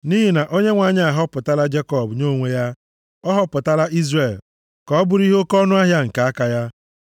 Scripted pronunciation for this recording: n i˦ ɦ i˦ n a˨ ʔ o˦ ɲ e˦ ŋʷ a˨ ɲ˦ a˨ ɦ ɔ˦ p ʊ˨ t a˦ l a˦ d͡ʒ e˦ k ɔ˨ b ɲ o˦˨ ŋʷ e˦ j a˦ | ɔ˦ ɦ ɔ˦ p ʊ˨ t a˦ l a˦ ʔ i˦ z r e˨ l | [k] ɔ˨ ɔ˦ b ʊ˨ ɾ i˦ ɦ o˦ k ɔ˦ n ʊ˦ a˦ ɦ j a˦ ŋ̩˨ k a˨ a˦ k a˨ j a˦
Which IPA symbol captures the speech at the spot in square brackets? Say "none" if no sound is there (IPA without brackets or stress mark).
k